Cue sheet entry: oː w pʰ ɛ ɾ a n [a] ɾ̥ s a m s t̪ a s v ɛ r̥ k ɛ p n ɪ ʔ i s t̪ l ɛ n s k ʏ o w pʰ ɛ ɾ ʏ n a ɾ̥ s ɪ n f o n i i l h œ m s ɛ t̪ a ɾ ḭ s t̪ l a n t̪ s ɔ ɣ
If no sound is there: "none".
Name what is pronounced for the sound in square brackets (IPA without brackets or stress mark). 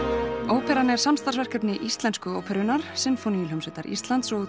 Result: ɛ